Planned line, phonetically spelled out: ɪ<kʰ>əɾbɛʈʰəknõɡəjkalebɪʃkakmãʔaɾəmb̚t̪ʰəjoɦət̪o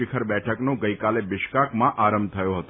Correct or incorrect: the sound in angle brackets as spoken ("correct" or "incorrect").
correct